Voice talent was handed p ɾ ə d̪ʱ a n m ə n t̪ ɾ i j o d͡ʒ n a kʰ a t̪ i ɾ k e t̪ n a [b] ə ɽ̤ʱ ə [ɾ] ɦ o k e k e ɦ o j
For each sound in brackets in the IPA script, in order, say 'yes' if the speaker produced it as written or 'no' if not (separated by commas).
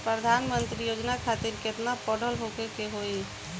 no, no